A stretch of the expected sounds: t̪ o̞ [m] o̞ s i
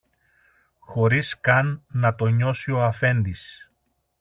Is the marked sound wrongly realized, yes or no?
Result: yes